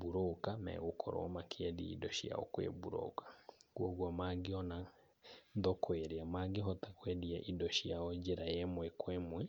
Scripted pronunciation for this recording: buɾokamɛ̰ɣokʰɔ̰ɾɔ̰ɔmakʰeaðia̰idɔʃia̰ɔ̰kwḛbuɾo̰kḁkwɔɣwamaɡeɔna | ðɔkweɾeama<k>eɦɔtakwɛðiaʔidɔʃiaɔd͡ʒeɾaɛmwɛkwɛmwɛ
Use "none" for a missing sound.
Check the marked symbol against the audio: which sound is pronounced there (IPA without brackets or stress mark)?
ɡ